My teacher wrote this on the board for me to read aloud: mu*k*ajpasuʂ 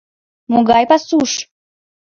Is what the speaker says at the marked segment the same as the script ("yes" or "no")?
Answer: no